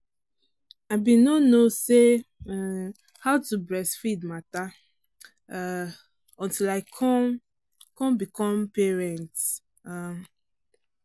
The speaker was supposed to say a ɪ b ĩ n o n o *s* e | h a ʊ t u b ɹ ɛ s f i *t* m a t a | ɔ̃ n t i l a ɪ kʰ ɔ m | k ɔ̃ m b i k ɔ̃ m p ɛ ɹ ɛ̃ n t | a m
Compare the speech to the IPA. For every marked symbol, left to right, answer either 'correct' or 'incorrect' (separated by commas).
correct, incorrect